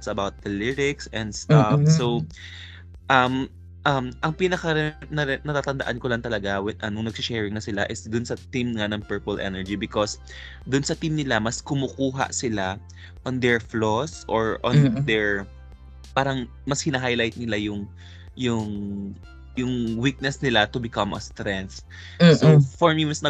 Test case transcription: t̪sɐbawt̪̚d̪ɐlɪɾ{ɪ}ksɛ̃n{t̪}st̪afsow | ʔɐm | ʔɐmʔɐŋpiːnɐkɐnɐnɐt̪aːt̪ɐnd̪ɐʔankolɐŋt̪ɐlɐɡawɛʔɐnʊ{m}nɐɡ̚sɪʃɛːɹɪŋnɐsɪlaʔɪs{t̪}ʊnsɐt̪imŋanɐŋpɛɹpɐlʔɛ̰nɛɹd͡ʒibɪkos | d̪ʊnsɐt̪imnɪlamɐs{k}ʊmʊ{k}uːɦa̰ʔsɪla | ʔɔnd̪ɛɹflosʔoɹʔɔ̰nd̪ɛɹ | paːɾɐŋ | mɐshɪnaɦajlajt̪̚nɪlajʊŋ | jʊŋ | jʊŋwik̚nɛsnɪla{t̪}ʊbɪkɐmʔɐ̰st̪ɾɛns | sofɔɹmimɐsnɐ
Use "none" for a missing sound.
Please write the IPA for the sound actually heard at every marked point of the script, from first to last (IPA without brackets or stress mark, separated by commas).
ɪ, d̪, ŋ, d̪, k, k, t̪